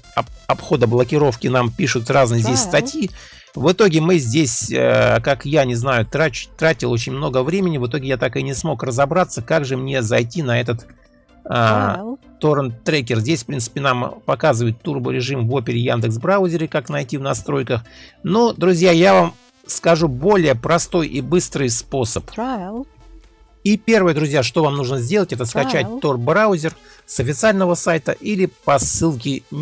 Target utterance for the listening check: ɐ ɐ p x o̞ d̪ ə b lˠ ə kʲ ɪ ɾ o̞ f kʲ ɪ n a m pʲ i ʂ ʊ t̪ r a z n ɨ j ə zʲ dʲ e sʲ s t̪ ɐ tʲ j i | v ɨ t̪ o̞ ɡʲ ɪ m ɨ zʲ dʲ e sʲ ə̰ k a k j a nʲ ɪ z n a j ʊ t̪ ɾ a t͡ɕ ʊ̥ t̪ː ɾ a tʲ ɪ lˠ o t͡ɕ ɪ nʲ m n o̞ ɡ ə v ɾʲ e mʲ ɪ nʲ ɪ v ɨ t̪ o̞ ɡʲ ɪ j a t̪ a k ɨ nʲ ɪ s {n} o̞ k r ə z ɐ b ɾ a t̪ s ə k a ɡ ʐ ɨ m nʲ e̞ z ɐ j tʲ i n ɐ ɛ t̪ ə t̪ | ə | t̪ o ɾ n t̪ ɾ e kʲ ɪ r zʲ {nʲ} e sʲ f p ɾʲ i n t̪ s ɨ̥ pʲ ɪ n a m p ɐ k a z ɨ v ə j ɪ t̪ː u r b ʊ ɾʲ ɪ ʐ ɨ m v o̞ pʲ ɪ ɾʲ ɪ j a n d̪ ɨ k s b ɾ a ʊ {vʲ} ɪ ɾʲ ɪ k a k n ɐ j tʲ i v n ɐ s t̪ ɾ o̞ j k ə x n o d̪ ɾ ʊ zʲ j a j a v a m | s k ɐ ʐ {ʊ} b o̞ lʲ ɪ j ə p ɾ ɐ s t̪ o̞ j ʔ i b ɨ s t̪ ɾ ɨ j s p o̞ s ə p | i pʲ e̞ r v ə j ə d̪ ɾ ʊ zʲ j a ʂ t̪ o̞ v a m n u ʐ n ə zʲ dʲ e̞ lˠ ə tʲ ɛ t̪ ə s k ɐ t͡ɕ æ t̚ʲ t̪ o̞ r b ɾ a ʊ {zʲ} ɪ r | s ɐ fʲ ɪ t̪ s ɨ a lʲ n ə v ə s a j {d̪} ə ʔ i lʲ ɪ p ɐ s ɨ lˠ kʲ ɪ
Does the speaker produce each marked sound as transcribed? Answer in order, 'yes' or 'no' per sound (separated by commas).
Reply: no, no, no, no, yes, no